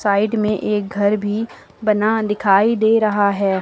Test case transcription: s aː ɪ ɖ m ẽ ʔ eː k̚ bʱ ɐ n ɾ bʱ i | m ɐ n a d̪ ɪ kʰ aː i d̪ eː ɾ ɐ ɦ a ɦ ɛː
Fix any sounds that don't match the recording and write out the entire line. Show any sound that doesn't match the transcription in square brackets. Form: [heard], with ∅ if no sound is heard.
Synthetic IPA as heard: s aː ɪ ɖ m ẽ ʔ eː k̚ [ɡʱ] ɐ [∅] ɾ bʱ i | [b] ɐ n a d̪ ɪ kʰ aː i d̪ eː ɾ ɐ ɦ a ɦ ɛː